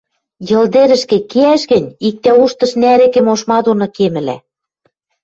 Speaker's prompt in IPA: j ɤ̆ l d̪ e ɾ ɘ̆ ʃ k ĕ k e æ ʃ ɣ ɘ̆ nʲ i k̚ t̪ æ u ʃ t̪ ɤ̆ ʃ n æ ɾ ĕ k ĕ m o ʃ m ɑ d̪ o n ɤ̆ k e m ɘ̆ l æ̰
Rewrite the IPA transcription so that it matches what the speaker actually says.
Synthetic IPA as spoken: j ɤ̆ l d̪ e ɾ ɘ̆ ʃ k ĕ k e æ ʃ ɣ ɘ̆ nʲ i k̚ t̪ æ u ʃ t̪ ɤ̆ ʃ n æ ɾ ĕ k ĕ m o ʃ m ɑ d̪ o n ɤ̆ k e m ɘ̆ l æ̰